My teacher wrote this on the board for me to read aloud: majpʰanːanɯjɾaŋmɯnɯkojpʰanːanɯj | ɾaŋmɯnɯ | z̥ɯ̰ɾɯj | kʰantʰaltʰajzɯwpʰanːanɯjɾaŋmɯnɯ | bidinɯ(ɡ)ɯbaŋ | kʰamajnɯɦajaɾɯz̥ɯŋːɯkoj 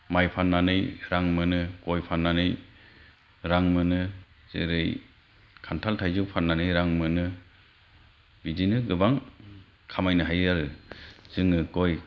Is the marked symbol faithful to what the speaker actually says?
yes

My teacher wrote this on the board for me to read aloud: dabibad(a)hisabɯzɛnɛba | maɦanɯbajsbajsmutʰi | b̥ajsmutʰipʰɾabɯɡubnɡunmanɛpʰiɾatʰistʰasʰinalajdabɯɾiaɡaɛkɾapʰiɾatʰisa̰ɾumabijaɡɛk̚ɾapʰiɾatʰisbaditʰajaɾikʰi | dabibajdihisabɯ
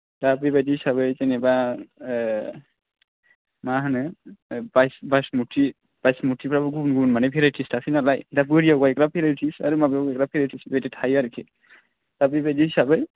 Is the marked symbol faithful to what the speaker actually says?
no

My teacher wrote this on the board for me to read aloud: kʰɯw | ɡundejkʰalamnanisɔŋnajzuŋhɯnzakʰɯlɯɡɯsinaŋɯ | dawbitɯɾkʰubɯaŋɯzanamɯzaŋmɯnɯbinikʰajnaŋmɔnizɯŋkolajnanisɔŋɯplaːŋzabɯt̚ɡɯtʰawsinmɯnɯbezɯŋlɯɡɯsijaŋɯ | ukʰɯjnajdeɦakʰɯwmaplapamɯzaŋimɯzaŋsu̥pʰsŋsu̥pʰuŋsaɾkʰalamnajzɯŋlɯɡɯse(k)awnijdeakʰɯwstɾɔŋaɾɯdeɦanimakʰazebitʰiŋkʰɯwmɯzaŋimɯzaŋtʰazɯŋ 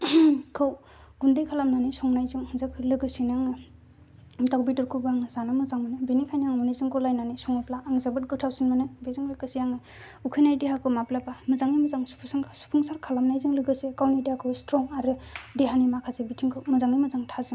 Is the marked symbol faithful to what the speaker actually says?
yes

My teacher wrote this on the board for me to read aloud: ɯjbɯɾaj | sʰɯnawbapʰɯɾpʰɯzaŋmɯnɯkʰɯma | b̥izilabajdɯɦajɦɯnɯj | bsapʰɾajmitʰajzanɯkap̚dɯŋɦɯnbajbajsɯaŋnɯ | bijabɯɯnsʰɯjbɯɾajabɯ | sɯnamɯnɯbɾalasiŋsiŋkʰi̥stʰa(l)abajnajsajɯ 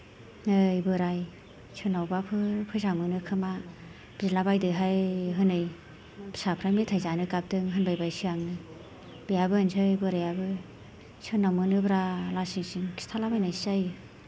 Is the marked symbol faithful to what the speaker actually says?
yes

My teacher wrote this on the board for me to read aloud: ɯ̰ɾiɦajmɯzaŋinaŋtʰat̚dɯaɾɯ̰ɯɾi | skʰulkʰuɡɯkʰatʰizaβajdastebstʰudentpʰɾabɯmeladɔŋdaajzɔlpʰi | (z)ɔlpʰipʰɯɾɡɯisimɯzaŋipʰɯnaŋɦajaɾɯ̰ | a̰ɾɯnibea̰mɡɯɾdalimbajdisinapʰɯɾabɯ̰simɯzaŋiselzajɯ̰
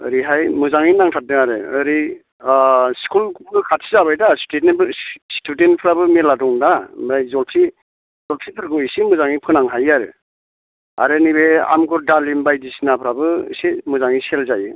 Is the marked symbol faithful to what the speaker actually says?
yes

